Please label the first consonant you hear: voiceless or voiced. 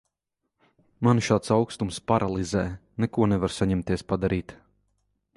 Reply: voiced